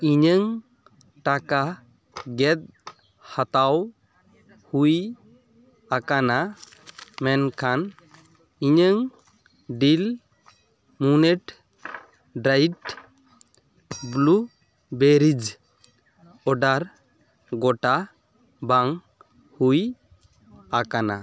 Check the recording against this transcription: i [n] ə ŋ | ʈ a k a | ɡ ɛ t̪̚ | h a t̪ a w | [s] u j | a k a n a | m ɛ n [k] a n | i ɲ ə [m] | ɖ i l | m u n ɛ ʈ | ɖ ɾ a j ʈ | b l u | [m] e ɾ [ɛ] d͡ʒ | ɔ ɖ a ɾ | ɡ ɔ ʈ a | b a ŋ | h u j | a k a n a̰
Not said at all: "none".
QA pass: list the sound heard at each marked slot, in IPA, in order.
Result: ɲ, h, kʰ, ŋ, b, i

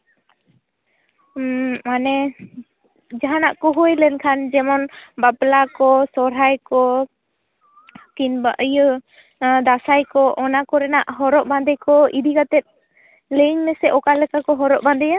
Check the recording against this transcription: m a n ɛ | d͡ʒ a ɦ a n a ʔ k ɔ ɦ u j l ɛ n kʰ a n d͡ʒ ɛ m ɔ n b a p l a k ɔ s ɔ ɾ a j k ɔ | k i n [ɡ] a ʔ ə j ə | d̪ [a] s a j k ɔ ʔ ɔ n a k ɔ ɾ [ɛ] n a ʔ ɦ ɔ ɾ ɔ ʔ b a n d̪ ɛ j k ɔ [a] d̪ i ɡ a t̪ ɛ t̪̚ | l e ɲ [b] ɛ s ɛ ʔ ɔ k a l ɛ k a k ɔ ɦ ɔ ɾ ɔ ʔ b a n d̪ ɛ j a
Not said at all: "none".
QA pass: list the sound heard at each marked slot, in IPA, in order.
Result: b, a, ɛ, i, m

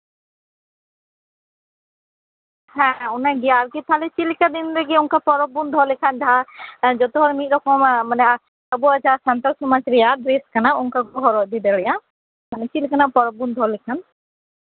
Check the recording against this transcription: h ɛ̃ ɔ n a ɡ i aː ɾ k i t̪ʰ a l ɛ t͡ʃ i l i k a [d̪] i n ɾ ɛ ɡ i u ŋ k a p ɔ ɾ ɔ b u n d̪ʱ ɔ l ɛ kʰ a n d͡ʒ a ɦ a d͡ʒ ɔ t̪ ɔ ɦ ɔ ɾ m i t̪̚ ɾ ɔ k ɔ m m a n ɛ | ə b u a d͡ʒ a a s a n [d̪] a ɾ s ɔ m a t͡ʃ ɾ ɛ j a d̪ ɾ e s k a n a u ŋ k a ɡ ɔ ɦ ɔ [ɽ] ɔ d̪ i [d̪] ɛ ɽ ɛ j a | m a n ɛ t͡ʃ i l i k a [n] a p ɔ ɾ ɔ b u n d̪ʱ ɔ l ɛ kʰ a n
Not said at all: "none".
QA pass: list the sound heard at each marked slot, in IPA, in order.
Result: d̪, t̪, ɾ, d̪, n

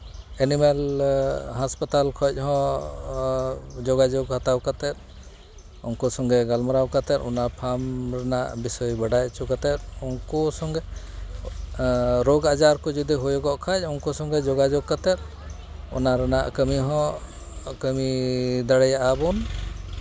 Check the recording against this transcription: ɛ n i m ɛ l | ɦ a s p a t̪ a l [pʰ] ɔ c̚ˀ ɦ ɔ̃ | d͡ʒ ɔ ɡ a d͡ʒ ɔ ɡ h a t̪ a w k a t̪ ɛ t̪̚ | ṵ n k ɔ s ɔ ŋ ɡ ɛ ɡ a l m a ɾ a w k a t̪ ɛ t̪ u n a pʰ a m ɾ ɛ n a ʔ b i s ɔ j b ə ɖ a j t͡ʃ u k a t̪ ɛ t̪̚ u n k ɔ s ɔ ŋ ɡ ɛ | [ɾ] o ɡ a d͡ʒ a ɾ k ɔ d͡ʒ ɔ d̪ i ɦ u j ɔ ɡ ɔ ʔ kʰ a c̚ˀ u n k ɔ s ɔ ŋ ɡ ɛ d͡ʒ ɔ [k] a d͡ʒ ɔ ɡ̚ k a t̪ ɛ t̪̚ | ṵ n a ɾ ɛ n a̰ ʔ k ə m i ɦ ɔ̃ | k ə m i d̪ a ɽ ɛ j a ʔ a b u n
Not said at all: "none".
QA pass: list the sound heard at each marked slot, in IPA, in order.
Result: kʰ, ɾ, ɡ

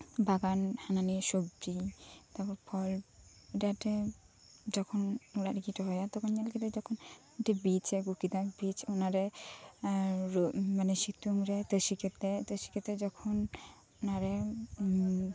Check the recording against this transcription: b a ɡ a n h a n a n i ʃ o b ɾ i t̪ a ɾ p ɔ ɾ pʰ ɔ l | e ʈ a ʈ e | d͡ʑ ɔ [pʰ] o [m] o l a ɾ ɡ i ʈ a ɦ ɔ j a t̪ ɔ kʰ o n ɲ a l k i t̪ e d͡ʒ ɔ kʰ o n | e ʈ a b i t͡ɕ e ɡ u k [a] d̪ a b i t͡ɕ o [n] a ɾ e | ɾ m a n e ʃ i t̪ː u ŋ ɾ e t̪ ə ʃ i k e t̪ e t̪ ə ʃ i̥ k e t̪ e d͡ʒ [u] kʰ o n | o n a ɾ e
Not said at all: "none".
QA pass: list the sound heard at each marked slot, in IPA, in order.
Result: kʰ, n, i, n, ɔ

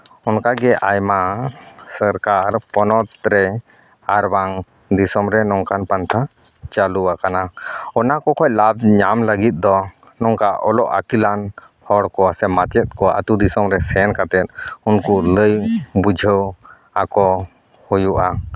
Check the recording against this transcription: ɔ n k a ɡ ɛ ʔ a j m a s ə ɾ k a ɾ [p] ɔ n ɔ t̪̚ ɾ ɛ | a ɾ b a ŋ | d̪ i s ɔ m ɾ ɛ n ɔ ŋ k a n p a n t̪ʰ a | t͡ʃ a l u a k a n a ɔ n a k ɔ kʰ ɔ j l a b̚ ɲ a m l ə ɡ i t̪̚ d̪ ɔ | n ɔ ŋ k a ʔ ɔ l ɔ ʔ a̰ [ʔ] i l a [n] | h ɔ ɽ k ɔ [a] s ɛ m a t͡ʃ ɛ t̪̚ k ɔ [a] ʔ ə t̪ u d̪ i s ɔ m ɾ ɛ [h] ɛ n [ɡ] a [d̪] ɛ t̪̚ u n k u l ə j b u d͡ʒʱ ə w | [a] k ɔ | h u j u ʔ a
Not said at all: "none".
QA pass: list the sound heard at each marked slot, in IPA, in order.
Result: p, k, n, a, a, s, k, t̪, a

